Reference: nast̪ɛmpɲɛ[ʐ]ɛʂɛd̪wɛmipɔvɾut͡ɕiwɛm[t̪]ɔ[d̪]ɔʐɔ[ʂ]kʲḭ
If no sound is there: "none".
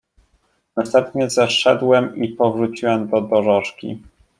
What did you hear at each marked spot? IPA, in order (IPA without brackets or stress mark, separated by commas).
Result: z, d̪, d̪, ʂ